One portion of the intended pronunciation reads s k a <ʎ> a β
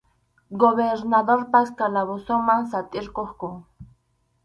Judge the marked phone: incorrect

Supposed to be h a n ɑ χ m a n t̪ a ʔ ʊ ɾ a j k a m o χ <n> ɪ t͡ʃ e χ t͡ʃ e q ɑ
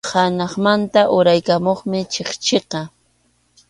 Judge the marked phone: incorrect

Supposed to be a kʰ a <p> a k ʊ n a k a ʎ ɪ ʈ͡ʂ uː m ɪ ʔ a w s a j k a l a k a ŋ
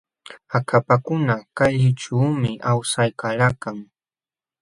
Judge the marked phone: correct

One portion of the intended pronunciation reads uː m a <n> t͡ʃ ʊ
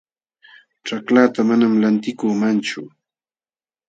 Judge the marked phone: correct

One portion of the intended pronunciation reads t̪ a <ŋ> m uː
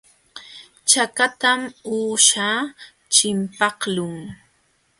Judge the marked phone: incorrect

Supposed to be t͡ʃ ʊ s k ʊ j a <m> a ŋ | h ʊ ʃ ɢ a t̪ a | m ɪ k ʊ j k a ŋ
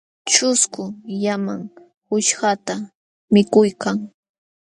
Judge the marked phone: correct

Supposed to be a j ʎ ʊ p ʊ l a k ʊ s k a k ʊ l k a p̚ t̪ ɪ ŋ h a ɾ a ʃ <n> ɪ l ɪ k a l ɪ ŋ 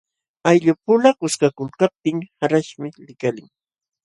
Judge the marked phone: incorrect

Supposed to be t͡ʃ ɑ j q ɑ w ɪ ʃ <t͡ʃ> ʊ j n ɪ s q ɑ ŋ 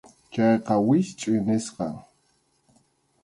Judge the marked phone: incorrect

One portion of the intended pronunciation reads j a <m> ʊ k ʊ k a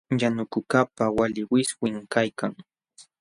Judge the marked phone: incorrect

